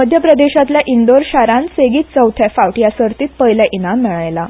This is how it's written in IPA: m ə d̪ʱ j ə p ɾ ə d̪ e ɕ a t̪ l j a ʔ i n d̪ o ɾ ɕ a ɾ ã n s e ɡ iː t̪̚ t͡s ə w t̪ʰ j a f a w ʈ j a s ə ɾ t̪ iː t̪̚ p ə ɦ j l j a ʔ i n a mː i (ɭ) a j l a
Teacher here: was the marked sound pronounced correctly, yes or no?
yes